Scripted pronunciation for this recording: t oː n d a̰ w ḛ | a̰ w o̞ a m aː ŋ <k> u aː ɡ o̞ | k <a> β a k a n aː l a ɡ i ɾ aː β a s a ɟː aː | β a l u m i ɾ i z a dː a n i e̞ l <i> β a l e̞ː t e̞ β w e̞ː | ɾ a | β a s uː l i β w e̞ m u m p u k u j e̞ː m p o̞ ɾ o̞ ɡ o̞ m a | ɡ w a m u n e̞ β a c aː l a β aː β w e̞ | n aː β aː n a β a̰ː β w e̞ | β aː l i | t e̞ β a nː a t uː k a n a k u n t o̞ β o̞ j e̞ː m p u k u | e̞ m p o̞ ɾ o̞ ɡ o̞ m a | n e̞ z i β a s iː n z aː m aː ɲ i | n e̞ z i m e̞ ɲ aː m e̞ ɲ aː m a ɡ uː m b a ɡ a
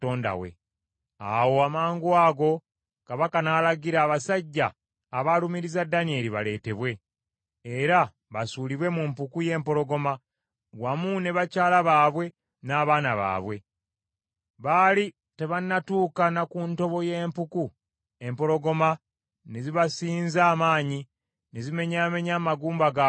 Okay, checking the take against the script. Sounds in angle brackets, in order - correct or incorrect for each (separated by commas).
incorrect, correct, correct